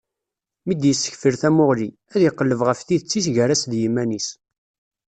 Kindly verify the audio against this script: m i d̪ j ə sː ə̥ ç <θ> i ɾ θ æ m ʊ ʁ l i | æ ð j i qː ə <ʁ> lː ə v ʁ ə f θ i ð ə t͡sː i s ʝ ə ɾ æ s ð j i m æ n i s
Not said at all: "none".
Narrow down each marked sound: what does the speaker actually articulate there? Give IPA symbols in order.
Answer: f, none

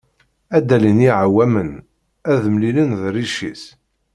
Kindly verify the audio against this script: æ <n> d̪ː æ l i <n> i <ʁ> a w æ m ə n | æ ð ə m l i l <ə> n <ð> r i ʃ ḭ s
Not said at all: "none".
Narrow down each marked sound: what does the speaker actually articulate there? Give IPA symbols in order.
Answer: none, n, ʕ, ə, ð

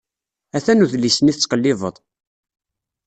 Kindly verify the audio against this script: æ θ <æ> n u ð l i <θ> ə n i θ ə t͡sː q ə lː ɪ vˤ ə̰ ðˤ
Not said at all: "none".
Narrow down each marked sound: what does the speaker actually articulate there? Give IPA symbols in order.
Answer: æ, s

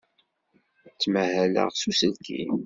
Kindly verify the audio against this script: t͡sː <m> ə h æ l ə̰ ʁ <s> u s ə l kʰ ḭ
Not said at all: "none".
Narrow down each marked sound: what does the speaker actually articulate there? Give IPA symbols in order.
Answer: m, s

